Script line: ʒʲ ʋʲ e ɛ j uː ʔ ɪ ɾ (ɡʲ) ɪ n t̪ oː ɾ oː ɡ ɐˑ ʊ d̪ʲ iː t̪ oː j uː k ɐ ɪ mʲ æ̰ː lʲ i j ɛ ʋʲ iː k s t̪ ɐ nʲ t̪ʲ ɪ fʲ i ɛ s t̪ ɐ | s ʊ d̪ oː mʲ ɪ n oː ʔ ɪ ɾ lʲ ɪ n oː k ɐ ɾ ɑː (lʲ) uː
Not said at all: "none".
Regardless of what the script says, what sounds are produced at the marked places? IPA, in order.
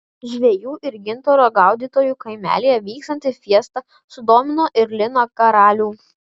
ɡʲ, lʲ

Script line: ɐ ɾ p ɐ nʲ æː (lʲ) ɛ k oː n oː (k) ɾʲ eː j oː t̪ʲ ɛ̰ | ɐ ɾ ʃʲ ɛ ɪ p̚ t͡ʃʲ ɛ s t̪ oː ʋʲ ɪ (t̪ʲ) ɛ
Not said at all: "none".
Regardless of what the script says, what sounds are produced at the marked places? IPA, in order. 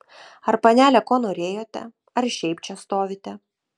lʲ, none, t̪ʲ

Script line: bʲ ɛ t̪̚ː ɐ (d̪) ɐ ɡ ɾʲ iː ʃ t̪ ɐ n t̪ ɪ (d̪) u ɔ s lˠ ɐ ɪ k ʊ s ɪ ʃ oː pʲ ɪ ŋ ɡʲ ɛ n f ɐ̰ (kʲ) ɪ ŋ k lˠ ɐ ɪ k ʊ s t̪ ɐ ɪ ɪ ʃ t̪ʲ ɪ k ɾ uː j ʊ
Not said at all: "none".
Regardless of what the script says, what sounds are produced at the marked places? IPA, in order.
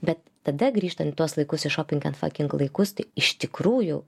d̪, t̪, kʲ

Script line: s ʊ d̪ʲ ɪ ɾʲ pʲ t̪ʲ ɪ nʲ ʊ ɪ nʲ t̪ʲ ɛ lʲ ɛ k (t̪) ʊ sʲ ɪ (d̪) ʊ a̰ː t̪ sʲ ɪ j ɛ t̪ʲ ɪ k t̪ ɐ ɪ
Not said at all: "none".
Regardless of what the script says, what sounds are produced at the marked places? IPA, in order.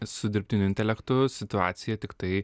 t̪, t̪

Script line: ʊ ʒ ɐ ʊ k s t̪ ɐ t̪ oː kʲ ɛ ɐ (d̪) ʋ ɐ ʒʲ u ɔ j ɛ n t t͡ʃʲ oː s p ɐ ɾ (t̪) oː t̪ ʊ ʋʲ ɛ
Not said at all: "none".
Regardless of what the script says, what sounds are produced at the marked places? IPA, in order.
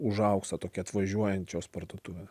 t̪, d̪

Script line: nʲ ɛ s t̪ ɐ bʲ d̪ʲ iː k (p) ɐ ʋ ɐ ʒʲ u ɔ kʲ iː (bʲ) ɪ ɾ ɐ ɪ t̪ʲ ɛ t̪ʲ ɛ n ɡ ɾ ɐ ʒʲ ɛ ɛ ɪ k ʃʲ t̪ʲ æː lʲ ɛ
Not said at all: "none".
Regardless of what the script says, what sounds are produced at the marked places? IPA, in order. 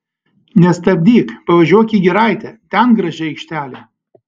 p, ɡʲ

